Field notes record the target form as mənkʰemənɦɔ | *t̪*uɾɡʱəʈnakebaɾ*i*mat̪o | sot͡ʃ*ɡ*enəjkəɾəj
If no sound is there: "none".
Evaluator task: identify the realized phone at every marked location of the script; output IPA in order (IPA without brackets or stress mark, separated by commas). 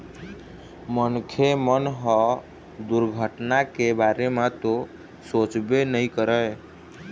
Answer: d̪, e, b